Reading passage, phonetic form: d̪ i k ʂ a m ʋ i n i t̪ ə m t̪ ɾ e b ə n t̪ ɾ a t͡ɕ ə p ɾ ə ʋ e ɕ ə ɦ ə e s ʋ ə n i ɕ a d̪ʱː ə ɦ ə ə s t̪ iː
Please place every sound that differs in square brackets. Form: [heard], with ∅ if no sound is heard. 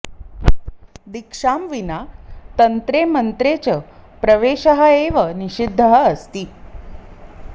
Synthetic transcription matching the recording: d̪ i k ʂ a m ʋ i n [a] t̪ ə [n] t̪ ɾ e [m] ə n t̪ ɾ [e] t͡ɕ ə p ɾ ə ʋ e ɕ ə ɦ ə e [∅] ʋ ə n i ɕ [i] d̪ʱː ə ɦ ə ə s t̪ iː